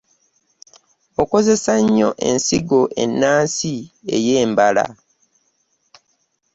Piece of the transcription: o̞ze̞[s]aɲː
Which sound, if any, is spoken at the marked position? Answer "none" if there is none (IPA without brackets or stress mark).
s